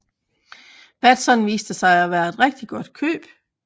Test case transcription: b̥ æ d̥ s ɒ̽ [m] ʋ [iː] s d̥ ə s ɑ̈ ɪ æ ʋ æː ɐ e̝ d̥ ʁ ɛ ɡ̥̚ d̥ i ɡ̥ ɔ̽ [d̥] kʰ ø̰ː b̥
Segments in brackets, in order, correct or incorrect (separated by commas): incorrect, correct, correct